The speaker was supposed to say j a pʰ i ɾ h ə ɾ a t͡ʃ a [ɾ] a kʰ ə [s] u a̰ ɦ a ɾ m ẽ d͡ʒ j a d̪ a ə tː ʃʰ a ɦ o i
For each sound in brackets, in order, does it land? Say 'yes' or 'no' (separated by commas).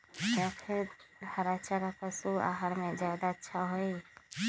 yes, yes